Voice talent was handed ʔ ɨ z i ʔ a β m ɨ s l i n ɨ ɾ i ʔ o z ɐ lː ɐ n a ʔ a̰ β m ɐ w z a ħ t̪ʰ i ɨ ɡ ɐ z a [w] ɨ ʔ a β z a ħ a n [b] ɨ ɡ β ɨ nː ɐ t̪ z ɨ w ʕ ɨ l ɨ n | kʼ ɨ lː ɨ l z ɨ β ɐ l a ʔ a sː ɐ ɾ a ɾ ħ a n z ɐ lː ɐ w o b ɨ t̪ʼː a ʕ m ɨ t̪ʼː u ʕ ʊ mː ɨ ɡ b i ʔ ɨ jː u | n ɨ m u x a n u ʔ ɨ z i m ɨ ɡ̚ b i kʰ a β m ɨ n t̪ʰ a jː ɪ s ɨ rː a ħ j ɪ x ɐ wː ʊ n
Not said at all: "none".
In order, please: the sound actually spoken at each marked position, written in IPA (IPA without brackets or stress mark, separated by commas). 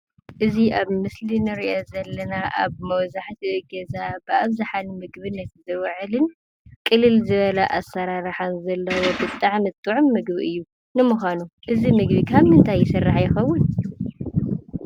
b, m